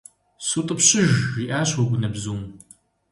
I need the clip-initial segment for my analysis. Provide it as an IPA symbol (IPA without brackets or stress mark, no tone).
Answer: s